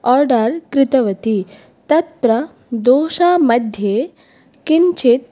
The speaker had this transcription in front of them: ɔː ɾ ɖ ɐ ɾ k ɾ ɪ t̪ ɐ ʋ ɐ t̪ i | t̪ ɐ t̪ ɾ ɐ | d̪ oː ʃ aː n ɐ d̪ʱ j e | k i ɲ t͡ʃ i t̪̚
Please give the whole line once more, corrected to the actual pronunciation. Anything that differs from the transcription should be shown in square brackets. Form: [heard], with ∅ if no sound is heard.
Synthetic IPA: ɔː ɾ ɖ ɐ ɾ k ɾ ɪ t̪ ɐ ʋ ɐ t̪ i | t̪ ɐ t̪ ɾ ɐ | d̪ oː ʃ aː [m] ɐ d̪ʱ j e | k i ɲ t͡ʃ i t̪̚

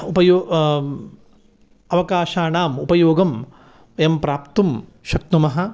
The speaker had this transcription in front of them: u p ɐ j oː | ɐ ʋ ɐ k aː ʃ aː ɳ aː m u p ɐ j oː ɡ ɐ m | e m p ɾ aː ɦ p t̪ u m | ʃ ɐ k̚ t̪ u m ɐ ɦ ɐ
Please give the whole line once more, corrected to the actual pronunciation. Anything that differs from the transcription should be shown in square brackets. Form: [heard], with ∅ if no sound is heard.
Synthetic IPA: u p ɐ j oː | ɐ ʋ ɐ k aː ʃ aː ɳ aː m u p ɐ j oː ɡ ɐ m | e m p ɾ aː [∅] p t̪ u m | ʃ ɐ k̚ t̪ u m ɐ ɦ ɐ

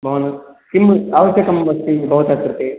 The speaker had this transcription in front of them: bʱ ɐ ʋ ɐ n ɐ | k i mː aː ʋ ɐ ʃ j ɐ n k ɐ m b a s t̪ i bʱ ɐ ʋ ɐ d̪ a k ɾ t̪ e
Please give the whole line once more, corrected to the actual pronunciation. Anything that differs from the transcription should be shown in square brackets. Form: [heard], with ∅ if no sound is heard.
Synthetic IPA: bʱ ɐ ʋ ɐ n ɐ | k i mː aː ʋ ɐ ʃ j ɐ [∅] k ɐ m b [ɐ] s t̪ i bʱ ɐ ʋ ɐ [t̪] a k ɾ t̪ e

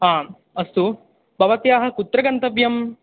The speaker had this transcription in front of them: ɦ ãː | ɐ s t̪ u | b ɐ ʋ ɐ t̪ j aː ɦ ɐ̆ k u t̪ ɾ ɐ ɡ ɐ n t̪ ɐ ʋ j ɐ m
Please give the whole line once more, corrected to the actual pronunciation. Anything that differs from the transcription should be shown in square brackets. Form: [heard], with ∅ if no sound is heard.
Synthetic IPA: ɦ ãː | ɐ s t̪ u | b ɐ ʋ ɐ t̪ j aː ɦ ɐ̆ k u t̪ ɾ ɐ ɡ ɐ n t̪ ɐ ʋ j ɐ m

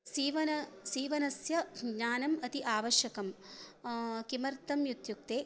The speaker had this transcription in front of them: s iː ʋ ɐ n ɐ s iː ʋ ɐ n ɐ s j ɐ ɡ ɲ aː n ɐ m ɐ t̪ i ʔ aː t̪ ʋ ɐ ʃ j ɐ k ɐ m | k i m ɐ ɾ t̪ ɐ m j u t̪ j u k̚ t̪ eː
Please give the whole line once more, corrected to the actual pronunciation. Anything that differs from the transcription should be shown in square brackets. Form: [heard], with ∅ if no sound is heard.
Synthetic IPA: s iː ʋ ɐ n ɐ s iː ʋ ɐ n ɐ s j ɐ ɡ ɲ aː n ɐ m ɐ t̪ i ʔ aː [∅] ʋ ɐ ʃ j ɐ k ɐ m | k i m ɐ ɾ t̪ ɐ m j u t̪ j u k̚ t̪ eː

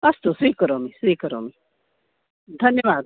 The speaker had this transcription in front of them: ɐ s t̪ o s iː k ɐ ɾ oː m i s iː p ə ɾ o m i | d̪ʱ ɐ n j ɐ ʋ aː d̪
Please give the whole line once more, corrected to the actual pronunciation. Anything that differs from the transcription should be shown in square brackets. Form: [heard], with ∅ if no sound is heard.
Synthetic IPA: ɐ s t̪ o s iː k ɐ ɾ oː m i s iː [k] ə ɾ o m i | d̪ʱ ɐ n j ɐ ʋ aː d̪

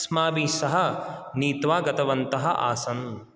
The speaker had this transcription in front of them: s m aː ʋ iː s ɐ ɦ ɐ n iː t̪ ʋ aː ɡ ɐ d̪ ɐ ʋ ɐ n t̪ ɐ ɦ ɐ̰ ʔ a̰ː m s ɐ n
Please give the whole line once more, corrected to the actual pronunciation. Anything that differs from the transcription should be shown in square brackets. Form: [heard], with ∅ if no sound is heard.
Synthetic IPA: s m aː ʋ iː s ɐ ɦ ɐ n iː t̪ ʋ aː ɡ ɐ [t̪] ɐ ʋ ɐ n t̪ ɐ ɦ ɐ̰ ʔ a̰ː [∅] s ɐ n

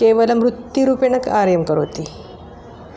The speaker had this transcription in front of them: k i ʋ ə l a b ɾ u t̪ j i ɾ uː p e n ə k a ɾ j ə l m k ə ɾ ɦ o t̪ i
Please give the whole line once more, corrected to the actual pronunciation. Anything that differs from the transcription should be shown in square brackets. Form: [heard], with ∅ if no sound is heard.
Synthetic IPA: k [e] ʋ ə l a [m] ɾ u t̪ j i ɾ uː p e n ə k a ɾ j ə [∅] m k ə ɾ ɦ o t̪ i

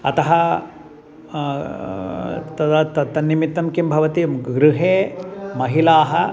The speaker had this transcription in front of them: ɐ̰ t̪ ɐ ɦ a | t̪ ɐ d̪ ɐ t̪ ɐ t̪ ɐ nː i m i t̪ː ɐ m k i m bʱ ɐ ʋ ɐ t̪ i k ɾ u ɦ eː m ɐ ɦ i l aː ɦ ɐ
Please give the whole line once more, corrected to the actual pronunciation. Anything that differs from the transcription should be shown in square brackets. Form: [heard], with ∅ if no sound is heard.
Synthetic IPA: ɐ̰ t̪ ɐ ɦ [ɐ] | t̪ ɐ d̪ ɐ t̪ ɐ t̪ ɐ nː i m i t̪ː ɐ m k i m bʱ ɐ ʋ ɐ t̪ i [ɡ] ɾ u ɦ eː m ɐ ɦ i l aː ɦ ɐ

